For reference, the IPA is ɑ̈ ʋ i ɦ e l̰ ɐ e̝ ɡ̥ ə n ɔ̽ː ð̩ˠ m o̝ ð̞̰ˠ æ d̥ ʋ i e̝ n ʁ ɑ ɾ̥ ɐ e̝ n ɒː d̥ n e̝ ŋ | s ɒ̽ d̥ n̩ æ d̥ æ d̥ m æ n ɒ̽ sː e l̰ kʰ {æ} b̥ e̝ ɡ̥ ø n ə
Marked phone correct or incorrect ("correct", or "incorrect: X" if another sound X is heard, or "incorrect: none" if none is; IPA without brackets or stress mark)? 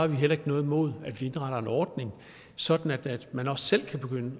correct